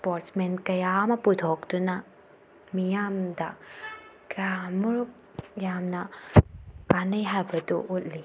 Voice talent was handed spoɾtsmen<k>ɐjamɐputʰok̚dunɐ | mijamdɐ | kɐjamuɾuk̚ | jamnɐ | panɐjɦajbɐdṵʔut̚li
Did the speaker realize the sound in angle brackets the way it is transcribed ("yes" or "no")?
yes